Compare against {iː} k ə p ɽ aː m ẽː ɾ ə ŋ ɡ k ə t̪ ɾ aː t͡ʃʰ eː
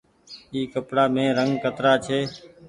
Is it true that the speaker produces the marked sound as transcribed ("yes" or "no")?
yes